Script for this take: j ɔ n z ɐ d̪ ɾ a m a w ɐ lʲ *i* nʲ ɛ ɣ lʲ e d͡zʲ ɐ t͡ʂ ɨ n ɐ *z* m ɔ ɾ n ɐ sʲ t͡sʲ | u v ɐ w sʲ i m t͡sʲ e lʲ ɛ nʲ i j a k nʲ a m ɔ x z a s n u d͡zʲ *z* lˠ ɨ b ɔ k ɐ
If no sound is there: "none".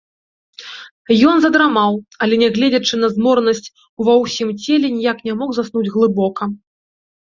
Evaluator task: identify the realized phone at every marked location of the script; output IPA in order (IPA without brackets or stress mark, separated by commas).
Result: ɛ, z, ɣ